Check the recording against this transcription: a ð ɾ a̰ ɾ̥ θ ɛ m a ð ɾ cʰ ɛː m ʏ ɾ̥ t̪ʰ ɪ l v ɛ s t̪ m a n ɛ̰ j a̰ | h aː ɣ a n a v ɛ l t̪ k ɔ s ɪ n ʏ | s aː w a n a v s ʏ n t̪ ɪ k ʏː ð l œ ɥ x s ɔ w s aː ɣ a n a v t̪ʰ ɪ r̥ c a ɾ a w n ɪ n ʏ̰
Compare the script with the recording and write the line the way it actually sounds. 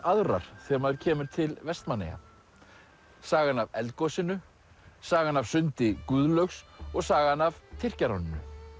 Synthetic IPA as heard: a ð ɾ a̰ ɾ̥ θ ɛ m a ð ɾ cʰ ɛː m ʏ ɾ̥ t̪ʰ ɪ l v ɛ s t̪ m a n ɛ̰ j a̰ | s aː ɣ a n a v ɛ l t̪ k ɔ s ɪ n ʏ | s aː ɣ a n a v s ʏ n t̪ ɪ k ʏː ð l œ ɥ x s ɔ ɣ s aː ɣ a n a v t̪ʰ ɪ r̥ c a ɾ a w n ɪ n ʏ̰

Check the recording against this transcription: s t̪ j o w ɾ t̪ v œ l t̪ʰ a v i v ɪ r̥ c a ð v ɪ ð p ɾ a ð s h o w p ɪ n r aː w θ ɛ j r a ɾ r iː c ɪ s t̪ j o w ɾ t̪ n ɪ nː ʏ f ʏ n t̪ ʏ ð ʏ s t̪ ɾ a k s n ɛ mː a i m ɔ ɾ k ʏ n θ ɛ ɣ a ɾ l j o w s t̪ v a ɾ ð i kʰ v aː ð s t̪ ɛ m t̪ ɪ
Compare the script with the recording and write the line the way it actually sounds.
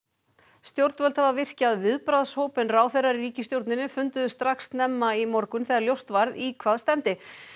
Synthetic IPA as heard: s t̪ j o w ɾ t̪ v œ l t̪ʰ a v a v ɪ r̥ c a ð v ɪ ð p ɾ a ð s h o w p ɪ n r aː w θ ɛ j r a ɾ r iː c ɪ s t̪ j o w ɾ t̪ n ɪ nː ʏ f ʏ n t̪ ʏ ð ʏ s t̪ ɾ a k s n ɛ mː a i m ɔ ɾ k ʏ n θ ɛ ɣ a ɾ l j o w s t̪ v a ɾ ð i kʰ v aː ð s t̪ ɛ m t̪ ɪ

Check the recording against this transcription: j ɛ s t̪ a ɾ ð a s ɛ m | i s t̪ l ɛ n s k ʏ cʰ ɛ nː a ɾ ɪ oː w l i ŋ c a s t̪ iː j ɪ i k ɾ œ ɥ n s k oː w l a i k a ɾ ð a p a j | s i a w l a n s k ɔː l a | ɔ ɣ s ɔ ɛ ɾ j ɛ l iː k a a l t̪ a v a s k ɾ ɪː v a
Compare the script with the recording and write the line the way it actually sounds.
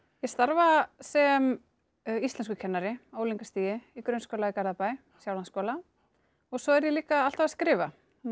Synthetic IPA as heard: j ɛ s t̪ a ɾ v a s ɛ m | i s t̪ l ɛ n s k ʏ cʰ ɛ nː a ɾ ɪ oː w l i ŋ k a s t̪ iː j ɪ i k ɾ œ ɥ n s k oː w l a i k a ɾ ð a p a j | s j a w l a n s k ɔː l a | ɔ ɣ s ɔ ɛ ɾ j ɛ l iː k a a l t̪ a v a s k ɾ ɪː v a

